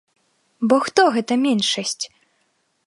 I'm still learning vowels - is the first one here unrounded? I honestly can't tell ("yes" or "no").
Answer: no